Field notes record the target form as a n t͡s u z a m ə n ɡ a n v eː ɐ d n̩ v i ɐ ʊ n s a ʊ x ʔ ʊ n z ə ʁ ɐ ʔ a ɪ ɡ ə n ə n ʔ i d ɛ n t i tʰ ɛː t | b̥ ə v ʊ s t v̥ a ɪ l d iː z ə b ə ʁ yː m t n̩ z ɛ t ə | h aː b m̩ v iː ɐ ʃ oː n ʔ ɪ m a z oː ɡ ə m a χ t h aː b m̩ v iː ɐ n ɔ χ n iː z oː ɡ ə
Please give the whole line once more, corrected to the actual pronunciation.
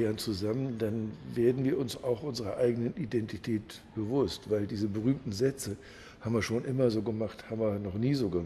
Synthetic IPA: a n t͡s u z a m ə n d a n v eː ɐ d n̩ v iː ɐ ʊ n s a ʊ x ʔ ʊ n z ə ʁ ɐ ʔ a ɪ ɡ ə n ə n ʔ i d ɛ n t i tʰ ɛː t | b̥ ə v ʊ s t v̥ a ɪ l d iː z ə b ə ʁ yː m t n̩ z ɛ t͡s ə | h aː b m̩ v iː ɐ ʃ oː n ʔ ɪ m ɐ z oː ɡ ə m a χ t h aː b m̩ v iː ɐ n ɔ χ n iː z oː ɡ ə